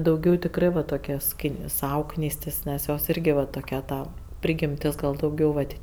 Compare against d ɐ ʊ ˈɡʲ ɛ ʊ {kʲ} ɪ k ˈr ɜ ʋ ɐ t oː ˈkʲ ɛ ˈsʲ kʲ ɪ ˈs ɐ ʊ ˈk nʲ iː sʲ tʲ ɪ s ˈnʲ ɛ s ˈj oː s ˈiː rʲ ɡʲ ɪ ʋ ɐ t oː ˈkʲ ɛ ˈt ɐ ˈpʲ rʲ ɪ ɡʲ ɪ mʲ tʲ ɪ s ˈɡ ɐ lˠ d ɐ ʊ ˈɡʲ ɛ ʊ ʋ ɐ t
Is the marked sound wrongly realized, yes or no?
yes